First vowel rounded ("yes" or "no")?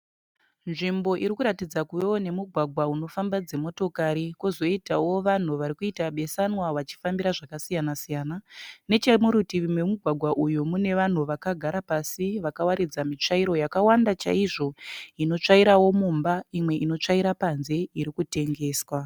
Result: no